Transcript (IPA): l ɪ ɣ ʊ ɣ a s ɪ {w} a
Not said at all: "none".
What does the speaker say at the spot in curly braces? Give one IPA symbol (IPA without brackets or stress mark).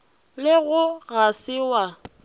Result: w